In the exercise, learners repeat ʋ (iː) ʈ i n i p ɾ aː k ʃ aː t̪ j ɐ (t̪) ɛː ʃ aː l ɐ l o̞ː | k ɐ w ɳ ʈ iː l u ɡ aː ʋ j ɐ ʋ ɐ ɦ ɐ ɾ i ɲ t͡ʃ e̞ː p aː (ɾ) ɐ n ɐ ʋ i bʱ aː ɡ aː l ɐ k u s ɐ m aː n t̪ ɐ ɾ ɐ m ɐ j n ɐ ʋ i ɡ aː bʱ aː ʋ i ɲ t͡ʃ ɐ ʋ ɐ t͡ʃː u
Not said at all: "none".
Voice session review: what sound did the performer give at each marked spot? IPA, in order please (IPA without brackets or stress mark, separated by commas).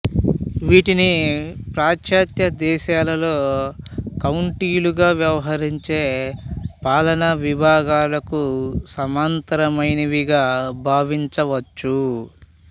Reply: iː, d̪, l